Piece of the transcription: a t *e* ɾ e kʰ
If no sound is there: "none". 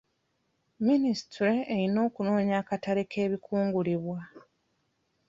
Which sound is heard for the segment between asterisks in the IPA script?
a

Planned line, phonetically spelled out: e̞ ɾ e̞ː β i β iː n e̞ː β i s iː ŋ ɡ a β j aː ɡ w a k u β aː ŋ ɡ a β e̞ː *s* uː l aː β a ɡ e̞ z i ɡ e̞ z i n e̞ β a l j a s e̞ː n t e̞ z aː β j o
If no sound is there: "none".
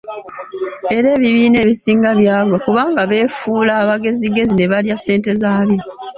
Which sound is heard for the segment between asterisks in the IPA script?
f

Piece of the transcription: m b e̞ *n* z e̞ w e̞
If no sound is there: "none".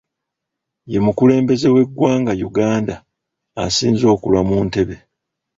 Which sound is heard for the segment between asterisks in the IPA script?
none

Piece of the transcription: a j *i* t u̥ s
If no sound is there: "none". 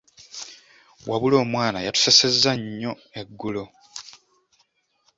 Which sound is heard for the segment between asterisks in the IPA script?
a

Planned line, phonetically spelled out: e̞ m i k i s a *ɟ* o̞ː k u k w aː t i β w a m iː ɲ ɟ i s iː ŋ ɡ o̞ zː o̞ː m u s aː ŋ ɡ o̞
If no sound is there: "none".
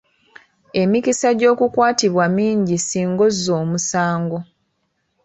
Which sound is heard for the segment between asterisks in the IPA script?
ɟ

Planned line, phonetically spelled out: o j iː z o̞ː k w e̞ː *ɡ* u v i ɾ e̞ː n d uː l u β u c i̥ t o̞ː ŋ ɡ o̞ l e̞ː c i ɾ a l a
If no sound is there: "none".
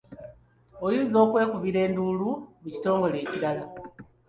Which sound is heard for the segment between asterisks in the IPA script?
k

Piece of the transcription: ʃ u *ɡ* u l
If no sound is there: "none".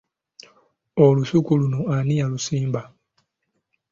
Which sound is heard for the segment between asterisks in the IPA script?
k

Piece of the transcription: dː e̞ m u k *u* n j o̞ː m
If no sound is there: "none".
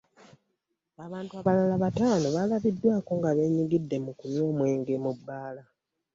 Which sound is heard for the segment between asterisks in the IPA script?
u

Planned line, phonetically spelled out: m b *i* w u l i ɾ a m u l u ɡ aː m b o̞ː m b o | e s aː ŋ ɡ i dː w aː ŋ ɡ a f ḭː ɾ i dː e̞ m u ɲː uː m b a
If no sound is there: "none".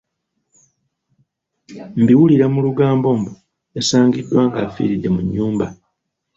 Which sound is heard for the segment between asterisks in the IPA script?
i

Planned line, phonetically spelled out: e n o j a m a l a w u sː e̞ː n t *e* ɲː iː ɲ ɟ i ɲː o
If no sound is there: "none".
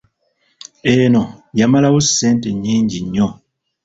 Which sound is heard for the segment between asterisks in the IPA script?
e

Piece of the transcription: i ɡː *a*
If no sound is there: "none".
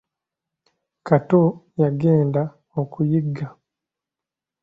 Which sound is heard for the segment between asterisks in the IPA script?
a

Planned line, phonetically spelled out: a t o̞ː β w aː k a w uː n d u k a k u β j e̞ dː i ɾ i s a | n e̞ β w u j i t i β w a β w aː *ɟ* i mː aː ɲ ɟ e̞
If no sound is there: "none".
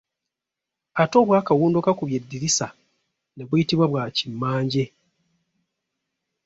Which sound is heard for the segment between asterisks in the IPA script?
c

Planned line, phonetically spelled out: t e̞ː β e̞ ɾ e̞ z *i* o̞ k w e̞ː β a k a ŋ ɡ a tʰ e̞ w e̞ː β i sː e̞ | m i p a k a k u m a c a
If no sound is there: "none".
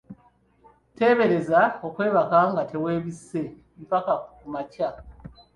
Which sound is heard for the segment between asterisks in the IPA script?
a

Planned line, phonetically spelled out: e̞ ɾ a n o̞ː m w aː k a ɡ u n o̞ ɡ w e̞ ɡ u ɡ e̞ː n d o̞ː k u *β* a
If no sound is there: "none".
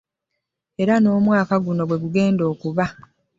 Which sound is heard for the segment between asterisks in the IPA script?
β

